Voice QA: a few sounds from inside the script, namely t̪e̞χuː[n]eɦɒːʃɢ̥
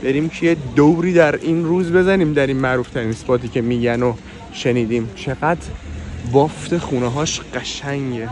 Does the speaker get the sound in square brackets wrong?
no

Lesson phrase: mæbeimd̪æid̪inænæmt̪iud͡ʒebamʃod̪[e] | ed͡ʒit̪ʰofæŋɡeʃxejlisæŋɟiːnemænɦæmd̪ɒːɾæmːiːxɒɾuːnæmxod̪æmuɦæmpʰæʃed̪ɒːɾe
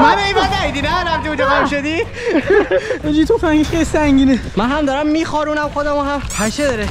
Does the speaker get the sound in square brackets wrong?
yes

